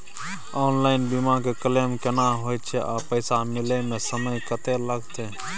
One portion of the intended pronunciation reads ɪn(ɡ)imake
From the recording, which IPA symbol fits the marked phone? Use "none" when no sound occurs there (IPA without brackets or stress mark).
b